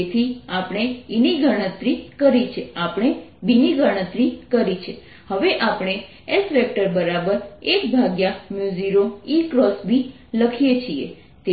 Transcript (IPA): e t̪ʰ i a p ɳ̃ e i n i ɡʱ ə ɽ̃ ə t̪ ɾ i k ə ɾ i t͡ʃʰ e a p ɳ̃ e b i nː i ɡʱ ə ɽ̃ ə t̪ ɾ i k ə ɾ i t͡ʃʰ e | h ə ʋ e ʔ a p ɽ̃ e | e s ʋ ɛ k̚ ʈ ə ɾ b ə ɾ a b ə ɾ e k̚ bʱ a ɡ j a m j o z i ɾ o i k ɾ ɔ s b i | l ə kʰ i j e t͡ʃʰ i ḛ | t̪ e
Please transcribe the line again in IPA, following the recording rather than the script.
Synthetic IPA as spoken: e t̪ʰ i a p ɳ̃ e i n i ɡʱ ə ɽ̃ ə t̪ ɾ i k ə ɾ i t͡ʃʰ e a p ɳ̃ e b i n i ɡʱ ə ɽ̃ ə t̪ ɾ i k ə ɾ i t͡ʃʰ e | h ə ʋ e ʔ a p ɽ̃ e | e s ʋ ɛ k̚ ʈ ə ɾ b ə ɾ a b ə ɾ e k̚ bʱ a ɡ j a m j u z i ɾ o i k ɾ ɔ s b i | l ə kʰ i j e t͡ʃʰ i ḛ | t̪ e